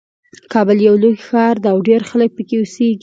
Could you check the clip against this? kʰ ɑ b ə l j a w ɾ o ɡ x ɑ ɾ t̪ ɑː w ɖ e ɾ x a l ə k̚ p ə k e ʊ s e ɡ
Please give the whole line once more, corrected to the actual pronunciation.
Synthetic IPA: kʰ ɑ b ə l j a w l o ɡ x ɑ ɾ d̪ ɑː w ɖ e ɾ x a l ə k̚ p ə k e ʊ s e ɡ